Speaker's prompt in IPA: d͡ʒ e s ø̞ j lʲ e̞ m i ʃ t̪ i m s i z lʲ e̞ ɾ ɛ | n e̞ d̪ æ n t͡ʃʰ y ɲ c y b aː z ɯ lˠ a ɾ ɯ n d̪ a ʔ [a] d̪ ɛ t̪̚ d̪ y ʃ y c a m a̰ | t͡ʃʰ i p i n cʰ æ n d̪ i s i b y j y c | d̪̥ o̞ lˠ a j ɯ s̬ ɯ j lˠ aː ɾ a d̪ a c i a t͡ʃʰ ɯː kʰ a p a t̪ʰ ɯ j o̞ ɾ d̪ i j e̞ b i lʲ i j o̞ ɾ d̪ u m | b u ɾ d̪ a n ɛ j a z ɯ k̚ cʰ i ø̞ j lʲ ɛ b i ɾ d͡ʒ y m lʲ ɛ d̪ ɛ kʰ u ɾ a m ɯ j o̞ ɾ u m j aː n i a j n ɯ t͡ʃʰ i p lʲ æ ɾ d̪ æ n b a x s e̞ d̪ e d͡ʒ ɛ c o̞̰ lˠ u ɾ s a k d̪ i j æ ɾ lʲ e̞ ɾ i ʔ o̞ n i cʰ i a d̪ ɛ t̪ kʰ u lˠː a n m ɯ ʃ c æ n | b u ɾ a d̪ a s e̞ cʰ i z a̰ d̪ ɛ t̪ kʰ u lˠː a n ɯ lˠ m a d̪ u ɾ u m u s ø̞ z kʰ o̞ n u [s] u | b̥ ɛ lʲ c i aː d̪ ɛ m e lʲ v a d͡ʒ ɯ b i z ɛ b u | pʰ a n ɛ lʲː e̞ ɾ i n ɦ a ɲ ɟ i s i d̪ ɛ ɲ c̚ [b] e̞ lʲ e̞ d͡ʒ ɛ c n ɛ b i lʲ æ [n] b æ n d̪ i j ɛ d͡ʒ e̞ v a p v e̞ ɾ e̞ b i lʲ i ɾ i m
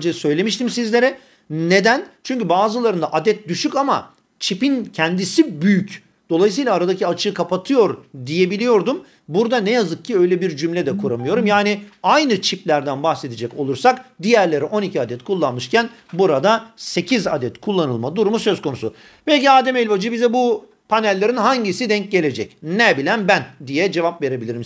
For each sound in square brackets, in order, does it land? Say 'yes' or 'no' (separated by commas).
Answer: yes, yes, no, yes